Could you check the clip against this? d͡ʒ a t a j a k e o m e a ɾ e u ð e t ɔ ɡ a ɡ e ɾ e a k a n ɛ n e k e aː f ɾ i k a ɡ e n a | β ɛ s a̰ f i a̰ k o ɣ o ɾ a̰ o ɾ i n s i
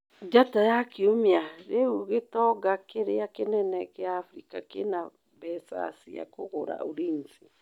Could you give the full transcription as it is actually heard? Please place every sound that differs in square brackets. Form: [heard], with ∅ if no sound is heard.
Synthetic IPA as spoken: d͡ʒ a t a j a k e o m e a ɾ e u [ɣ] e t ɔ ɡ a [k] e ɾ e a k [e] n ɛ n [ɛ] k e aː f ɾ i k a [k] e n a | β ɛ s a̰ [s] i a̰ k o ɣ o ɾ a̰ o ɾ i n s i